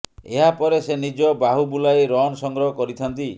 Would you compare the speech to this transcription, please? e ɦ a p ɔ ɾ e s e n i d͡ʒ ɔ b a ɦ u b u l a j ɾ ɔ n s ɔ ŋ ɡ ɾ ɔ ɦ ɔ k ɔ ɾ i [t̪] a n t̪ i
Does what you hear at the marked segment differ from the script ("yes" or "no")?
yes